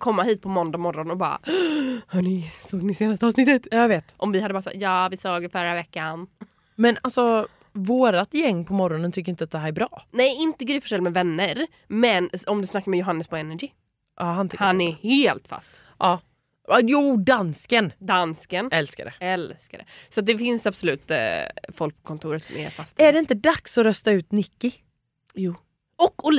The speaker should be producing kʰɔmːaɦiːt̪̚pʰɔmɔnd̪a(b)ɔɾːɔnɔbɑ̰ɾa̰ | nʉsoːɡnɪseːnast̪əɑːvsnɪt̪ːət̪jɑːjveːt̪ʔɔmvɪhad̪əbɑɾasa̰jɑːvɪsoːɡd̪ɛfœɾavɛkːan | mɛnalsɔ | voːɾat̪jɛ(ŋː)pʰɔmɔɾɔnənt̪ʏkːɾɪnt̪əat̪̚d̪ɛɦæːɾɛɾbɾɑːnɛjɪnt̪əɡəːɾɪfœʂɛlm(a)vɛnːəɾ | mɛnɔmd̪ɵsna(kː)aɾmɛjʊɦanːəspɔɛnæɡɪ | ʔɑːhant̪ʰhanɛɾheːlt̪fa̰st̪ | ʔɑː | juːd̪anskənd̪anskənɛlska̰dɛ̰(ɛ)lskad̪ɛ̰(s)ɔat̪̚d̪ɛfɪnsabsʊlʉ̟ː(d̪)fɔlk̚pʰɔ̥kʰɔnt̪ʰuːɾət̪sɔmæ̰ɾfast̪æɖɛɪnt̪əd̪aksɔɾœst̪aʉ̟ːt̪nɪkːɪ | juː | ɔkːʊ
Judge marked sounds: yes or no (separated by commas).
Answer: no, yes, no, yes, yes, yes, no